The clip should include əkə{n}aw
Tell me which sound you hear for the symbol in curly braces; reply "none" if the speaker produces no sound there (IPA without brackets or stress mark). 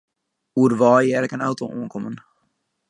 n